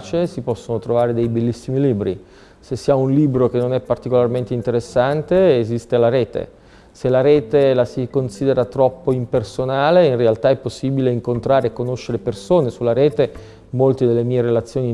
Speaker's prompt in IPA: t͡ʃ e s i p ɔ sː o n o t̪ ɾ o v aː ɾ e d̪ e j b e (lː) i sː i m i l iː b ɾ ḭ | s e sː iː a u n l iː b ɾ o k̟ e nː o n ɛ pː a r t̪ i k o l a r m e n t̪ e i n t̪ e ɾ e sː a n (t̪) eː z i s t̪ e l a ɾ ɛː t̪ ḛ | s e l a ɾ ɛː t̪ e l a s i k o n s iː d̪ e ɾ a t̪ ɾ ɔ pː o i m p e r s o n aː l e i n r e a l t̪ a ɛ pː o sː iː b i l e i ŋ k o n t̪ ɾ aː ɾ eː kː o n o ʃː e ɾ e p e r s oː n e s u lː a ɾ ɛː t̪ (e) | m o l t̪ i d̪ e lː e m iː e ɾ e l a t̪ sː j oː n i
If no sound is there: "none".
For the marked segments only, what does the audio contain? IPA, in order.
lː, t̪, e

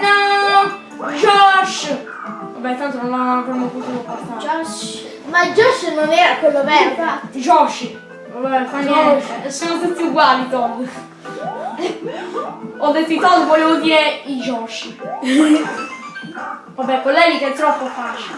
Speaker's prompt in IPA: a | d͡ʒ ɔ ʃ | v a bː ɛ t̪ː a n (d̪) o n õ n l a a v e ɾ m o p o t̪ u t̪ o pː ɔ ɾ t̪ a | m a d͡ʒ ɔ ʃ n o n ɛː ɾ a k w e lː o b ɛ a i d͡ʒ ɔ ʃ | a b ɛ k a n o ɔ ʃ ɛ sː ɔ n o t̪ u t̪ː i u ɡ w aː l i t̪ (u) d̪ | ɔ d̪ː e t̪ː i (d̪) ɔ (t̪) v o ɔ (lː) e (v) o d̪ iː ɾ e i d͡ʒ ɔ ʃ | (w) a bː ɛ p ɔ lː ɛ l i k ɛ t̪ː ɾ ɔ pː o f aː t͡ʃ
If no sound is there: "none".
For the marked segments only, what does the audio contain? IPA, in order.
t̪, ɔ, t̪, d̪, l, v, v

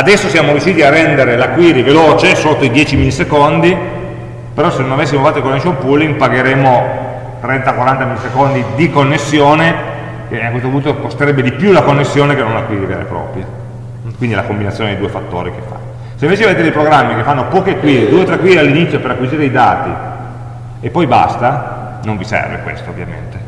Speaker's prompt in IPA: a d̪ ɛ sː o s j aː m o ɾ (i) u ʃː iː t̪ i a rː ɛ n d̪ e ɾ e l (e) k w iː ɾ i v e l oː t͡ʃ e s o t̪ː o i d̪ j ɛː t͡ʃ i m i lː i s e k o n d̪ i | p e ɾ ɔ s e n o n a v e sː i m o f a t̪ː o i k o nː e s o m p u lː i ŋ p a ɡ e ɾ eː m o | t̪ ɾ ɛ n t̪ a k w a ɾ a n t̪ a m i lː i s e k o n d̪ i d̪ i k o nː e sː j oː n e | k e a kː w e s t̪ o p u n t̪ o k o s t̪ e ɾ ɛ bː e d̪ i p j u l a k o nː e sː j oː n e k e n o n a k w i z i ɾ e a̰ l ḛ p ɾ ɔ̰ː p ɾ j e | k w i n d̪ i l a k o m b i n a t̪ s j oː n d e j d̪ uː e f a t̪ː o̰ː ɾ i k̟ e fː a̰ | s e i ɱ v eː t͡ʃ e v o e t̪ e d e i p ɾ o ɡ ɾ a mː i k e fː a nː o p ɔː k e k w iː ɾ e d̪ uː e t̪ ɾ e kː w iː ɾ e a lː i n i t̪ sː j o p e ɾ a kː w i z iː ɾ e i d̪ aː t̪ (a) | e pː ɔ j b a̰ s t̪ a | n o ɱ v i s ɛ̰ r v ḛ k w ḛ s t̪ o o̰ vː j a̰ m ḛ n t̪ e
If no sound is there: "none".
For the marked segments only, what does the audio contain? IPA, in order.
j, a, i

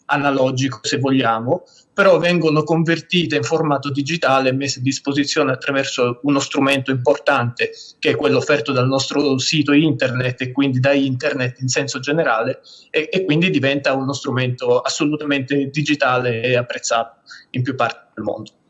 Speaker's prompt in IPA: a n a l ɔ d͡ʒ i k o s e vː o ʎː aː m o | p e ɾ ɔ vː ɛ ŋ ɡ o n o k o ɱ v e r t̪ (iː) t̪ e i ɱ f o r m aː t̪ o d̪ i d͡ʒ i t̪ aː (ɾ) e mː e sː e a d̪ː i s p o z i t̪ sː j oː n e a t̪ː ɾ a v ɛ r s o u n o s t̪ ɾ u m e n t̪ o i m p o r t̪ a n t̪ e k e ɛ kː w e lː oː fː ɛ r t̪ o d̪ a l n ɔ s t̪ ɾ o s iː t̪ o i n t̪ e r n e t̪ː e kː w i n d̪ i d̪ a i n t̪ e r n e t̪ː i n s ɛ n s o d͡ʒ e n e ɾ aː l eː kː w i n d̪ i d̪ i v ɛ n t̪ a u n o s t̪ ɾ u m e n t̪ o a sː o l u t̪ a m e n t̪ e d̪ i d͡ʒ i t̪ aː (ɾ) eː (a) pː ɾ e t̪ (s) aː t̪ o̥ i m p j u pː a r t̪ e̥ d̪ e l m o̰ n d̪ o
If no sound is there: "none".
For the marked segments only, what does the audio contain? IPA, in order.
iː, l, l, a, sː

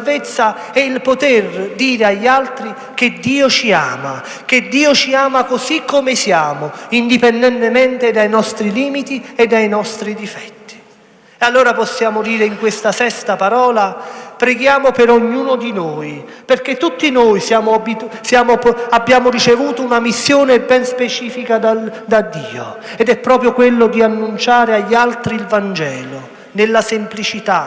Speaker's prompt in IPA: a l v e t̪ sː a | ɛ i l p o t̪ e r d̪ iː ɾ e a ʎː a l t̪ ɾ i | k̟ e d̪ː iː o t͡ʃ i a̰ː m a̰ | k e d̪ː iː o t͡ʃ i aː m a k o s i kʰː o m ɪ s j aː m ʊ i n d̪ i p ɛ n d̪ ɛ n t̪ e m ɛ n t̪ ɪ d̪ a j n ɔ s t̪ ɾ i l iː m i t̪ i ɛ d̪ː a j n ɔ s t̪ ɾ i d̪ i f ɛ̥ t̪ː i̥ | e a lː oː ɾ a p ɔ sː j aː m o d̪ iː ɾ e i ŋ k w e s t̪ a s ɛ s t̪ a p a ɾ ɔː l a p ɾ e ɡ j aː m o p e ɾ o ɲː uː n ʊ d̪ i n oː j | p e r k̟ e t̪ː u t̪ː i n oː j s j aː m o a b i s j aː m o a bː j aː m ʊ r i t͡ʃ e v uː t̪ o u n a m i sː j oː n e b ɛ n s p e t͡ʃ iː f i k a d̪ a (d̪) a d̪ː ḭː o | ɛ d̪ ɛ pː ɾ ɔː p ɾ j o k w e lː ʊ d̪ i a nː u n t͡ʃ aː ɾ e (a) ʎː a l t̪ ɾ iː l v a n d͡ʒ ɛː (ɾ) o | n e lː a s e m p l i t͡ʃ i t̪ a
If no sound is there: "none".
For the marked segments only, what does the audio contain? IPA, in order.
d̪, a, l

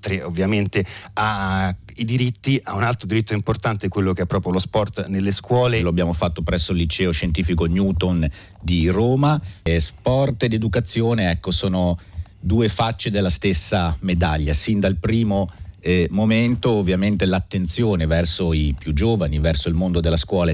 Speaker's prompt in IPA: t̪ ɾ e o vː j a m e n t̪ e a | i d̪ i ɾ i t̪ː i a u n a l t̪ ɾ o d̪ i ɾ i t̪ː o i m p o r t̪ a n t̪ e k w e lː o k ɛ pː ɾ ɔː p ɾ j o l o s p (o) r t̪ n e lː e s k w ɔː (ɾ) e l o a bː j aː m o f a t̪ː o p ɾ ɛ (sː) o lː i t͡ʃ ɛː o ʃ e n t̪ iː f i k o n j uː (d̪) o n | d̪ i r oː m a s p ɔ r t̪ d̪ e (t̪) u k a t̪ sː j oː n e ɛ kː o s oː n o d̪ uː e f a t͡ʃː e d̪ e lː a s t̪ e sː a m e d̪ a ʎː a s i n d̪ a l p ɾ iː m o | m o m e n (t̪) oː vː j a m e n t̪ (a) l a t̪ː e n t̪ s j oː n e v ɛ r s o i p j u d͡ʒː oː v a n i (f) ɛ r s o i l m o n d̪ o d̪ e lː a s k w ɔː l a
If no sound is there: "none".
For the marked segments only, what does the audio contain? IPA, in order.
ɔ, l, sː, t̪, d̪, t̪, e, v

